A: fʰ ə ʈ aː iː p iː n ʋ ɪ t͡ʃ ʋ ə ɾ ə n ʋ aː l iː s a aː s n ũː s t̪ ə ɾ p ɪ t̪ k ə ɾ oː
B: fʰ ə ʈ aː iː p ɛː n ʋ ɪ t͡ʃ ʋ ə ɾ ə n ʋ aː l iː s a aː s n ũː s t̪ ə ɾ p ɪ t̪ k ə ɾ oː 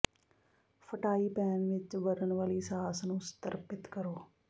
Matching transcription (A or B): B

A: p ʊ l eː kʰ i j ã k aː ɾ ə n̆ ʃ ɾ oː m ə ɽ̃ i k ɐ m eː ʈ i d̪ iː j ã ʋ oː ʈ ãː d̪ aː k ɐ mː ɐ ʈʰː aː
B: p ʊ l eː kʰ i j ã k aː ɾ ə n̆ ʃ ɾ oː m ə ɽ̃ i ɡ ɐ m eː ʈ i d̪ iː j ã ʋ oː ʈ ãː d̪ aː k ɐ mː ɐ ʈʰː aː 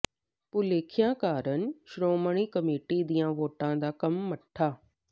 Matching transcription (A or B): A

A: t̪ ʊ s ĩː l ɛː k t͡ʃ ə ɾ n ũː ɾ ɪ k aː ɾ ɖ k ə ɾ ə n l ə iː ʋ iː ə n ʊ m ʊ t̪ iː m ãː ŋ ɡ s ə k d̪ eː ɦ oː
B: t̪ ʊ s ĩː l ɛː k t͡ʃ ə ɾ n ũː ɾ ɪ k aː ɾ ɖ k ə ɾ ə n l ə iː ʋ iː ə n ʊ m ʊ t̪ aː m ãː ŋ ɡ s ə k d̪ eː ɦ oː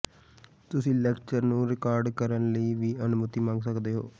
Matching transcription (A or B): A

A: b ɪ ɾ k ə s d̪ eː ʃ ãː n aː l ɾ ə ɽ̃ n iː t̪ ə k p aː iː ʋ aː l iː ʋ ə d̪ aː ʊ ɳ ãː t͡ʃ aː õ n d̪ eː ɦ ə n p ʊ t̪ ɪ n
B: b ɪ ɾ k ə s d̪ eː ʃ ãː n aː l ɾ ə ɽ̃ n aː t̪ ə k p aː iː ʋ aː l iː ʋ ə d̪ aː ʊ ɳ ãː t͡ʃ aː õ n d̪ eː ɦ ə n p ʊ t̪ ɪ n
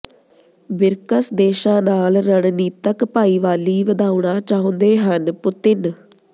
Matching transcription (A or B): A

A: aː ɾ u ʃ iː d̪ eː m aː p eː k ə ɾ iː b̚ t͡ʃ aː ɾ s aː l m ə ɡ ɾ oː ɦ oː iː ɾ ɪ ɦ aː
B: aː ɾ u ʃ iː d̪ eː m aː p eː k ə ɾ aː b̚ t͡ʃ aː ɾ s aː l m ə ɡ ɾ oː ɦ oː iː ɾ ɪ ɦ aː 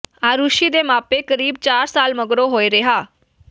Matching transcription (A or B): A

